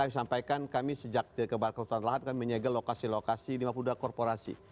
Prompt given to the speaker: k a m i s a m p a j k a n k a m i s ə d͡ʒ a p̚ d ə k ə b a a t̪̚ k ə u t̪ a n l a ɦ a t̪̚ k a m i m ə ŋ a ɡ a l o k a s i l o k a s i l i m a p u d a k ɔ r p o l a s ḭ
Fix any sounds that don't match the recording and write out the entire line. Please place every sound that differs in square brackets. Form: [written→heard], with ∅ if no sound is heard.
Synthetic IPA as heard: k a m i s a m p a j k a n k a m i s ə d͡ʒ a [p̚→k̚] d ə k ə b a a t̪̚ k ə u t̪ a n l a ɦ a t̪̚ k a m i m ə [ŋ→ɲ] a ɡ a l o k a s i l o k a s i l i m a p u d a k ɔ r p o [l→ɾ] a s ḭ